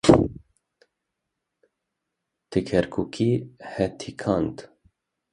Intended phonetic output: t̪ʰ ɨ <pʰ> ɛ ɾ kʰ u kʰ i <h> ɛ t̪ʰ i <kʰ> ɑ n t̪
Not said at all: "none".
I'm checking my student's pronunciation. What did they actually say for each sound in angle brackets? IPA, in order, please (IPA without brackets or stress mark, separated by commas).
kʰ, h, kʰ